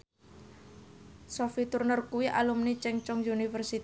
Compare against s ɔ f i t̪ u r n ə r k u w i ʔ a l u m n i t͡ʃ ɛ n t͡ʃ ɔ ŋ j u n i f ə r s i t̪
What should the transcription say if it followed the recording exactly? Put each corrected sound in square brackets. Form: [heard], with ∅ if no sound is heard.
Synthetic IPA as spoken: s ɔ f i t̪ u r n ə r k u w i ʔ a l u m n i t͡ʃ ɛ [ŋ] t͡ʃ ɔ ŋ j u n i f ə r s i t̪

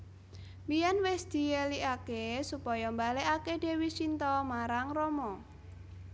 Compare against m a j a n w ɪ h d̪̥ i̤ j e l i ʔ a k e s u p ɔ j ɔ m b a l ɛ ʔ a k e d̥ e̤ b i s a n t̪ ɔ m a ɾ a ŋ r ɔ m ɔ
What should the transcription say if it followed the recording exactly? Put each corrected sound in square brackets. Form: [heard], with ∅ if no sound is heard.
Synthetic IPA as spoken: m [i] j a n w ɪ [s] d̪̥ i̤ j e l i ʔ a k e s u p ɔ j ɔ m b a l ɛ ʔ a k e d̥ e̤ [w] i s [i] n t̪ ɔ m a ɾ a ŋ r ɔ m ɔ

